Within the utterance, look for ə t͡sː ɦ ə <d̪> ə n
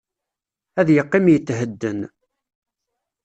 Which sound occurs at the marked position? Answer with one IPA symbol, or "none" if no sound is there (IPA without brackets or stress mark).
d̪ː